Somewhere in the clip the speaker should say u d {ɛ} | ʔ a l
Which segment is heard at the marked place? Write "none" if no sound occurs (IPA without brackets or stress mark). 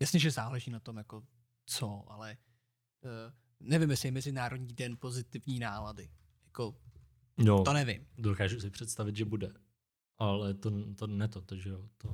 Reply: ɛ